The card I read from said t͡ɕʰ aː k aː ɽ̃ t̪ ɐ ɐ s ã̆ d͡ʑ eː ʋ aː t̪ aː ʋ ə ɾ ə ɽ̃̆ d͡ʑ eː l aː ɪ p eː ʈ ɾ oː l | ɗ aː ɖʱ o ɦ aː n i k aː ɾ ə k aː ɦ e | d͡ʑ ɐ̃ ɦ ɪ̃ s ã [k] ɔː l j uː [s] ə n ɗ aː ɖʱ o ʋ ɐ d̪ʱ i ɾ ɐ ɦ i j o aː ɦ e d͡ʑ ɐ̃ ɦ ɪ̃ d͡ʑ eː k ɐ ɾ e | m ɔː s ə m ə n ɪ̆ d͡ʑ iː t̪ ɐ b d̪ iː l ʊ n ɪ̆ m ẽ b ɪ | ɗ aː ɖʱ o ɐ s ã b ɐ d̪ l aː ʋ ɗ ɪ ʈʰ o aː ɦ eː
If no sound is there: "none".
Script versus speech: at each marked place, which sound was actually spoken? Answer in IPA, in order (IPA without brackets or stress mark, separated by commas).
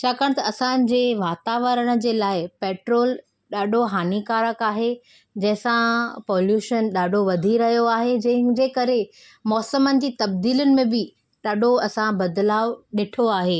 p, ʃ